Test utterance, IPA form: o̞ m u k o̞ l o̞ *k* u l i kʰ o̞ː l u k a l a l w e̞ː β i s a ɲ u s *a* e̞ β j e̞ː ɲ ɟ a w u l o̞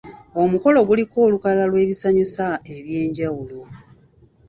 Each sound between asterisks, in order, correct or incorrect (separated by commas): incorrect, correct